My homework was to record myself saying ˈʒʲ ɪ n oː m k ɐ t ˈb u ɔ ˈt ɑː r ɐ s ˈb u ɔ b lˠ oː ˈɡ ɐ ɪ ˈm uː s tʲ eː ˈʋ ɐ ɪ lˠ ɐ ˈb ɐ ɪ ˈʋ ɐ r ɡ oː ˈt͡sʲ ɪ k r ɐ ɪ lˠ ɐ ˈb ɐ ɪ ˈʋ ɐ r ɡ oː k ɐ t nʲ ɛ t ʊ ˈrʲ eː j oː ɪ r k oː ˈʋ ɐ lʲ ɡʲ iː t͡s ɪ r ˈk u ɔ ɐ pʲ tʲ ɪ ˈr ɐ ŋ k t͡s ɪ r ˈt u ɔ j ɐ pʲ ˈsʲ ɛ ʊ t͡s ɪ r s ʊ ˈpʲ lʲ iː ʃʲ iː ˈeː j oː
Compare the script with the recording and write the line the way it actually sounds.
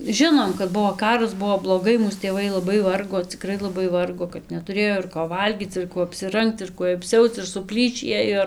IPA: ˈʒʲ ɪ n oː m k ɐ t ˈb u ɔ ˈk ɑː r ɐ s ˈb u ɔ b lˠ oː ˈɡ ɐ ɪ ˈm uː s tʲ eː ˈʋ ɐ ɪ lˠ ɐ ˈb ɐ ɪ ˈʋ ɐ r ɡ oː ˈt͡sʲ ɪ k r ɐ ɪ lˠ ɐ ˈb ɐ ɪ ˈʋ ɐ r ɡ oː k ɐ t nʲ ɛ t ʊ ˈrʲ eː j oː ɪ r k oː ˈʋ ɐ lʲ ɡʲ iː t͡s ɪ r ˈk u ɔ ɐ pʲ sʲ ɪ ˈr ɐ ŋ k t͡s ɪ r ˈk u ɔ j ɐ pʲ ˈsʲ ɛ ʊ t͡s ɪ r s ʊ ˈpʲ lʲ iː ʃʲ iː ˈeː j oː